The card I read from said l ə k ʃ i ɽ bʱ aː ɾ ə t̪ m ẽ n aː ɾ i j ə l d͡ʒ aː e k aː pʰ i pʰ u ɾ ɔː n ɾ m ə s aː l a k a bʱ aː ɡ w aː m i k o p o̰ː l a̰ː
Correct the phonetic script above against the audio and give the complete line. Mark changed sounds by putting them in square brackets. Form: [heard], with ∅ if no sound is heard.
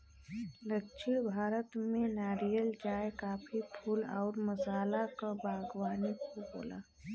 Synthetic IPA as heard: l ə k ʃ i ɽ bʱ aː ɾ ə t̪ m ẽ n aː ɾ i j ə l d͡ʒ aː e k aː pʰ i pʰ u [l] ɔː [∅] ɾ m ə s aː l a k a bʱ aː ɡ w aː [n] i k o [b] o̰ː l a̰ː